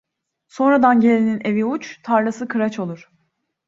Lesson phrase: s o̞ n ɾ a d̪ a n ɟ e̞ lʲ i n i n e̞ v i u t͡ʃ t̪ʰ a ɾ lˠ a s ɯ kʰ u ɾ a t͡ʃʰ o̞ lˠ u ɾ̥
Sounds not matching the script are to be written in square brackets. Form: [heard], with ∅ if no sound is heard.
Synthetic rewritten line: s o̞ n ɾ a d̪ a n ɟ e̞ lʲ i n i n e̞ v i u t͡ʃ t̪ʰ a ɾ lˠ a s ɯ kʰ [ɯ] ɾ a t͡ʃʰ o̞ lˠ u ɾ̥